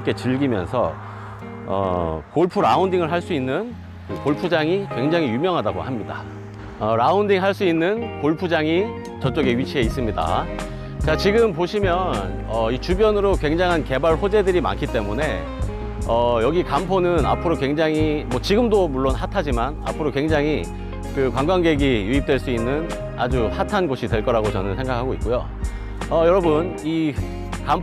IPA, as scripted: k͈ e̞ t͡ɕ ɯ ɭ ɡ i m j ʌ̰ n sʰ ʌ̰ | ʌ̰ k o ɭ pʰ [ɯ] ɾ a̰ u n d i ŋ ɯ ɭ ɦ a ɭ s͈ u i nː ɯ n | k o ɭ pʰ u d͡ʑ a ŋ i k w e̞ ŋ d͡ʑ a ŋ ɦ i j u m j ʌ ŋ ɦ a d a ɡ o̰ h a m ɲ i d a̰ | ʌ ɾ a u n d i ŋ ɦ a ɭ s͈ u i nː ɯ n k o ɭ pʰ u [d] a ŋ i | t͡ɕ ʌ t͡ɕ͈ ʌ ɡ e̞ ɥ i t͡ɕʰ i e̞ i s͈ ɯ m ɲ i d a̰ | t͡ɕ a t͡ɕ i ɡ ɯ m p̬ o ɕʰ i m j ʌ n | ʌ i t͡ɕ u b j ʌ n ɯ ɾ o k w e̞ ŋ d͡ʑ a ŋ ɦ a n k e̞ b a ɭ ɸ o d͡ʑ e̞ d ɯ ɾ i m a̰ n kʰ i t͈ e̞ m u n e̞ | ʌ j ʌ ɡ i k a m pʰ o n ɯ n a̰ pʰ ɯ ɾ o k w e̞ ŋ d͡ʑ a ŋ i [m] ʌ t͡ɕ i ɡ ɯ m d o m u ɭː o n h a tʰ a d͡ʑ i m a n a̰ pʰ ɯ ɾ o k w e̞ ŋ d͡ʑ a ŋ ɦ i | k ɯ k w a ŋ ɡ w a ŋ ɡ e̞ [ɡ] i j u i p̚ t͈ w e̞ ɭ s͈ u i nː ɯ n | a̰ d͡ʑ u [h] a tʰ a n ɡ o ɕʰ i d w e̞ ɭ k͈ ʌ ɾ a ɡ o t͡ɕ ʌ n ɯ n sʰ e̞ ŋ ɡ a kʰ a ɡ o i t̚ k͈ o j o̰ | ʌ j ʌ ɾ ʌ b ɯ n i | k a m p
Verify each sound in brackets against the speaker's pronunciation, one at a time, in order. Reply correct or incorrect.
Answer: incorrect: u, incorrect: d͡ʑ, correct, correct, correct

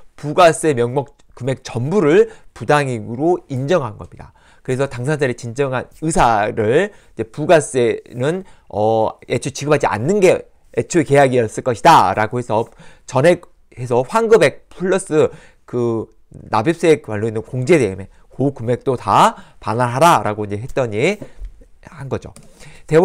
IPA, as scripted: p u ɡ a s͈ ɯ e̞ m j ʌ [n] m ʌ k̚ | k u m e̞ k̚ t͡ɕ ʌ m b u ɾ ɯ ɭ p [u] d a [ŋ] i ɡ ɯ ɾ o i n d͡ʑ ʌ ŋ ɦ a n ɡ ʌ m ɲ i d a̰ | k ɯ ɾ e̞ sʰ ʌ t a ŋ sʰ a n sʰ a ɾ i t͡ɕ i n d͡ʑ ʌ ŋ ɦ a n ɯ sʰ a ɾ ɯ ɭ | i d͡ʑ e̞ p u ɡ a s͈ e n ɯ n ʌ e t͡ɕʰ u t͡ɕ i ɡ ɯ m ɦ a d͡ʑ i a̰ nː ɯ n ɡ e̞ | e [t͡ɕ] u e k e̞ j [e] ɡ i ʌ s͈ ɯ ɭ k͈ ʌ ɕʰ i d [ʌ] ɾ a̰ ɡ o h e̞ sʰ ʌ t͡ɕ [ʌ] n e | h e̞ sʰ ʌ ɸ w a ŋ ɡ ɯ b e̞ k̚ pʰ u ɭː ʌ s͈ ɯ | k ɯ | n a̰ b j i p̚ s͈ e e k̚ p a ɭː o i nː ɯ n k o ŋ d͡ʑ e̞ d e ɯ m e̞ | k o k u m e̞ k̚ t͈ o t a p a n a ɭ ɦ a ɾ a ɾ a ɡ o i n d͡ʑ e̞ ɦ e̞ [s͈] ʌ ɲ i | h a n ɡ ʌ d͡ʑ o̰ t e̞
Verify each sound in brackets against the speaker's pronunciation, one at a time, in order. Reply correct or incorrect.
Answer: incorrect: ŋ, correct, correct, incorrect: t͡ɕʰ, incorrect: a, incorrect: a, correct, incorrect: t͈

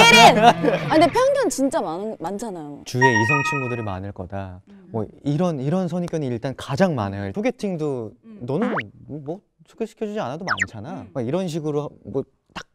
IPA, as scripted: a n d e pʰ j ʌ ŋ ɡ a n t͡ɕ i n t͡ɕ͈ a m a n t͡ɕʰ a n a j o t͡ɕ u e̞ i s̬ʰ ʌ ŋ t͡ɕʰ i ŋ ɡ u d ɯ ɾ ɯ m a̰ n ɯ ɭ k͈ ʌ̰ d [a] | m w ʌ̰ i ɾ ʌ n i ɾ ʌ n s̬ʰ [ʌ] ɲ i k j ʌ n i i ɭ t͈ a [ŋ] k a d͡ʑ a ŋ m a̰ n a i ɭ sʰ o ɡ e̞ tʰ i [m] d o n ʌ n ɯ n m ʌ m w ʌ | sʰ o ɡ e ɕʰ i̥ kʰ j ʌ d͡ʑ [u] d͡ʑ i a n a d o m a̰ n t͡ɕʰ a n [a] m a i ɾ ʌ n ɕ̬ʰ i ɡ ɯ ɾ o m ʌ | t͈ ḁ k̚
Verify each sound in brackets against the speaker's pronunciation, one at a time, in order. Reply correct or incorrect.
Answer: correct, correct, incorrect: n, incorrect: ŋ, correct, correct

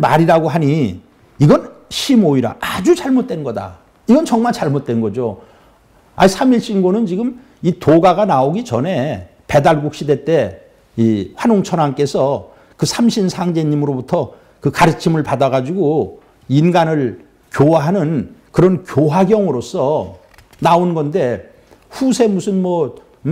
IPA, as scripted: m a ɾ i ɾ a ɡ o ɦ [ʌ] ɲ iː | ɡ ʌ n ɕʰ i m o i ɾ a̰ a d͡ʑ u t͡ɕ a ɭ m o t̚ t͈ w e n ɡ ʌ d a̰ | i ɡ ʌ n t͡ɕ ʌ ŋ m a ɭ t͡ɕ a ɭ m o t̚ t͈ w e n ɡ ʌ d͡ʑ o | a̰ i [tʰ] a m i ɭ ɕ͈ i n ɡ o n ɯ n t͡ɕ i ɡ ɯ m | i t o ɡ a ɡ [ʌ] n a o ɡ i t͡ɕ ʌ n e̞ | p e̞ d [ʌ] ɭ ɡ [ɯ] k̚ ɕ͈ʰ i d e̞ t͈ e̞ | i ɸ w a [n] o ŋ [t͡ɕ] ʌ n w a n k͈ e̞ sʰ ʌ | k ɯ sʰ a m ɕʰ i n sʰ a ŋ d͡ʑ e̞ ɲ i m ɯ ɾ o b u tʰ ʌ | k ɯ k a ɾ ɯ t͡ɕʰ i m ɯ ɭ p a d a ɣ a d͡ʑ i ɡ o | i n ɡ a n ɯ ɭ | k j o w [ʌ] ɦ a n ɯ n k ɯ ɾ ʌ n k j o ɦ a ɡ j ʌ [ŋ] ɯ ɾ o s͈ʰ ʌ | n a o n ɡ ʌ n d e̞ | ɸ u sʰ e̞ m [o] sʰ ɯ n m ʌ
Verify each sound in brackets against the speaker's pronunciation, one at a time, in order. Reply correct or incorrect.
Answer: incorrect: a, incorrect: sʰ, incorrect: a, incorrect: a, incorrect: u, correct, incorrect: t͡ɕʰ, incorrect: a, correct, incorrect: u

